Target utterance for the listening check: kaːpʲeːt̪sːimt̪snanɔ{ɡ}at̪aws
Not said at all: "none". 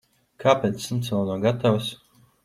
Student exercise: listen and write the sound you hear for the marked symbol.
ɡ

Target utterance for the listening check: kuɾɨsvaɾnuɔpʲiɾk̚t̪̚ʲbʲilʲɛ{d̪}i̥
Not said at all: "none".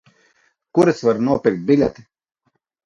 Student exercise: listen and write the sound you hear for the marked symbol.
t̪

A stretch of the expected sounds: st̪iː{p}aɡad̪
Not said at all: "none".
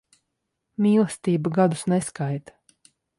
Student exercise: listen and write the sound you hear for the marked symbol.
b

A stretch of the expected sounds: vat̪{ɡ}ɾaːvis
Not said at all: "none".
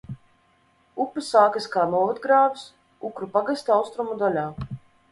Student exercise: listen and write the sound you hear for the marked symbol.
ɡ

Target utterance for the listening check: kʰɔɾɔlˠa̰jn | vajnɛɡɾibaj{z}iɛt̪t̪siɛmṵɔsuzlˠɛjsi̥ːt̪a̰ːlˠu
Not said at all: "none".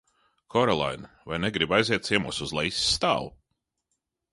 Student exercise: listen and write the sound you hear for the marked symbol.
z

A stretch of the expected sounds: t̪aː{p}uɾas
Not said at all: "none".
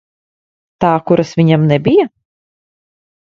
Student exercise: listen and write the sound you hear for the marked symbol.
k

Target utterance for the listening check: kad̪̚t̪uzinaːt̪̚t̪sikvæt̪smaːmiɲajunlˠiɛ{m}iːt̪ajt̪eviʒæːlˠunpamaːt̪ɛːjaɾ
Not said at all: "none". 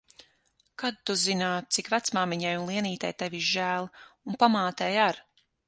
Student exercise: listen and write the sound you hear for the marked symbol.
n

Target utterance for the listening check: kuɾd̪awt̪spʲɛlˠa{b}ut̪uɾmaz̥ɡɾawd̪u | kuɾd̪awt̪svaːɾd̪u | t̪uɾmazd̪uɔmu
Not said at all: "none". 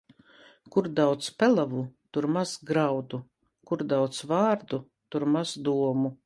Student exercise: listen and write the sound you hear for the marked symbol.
v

